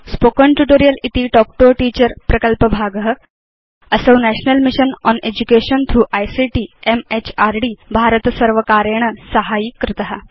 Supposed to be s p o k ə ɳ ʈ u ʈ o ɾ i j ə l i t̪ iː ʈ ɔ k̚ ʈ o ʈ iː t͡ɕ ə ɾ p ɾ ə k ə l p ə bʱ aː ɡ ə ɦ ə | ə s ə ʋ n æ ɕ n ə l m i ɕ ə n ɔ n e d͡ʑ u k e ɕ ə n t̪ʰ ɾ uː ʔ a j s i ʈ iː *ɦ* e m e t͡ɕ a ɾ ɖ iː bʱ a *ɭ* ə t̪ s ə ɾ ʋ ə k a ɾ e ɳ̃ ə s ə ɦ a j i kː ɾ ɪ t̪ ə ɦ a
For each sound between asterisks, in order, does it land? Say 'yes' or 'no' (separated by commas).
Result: no, no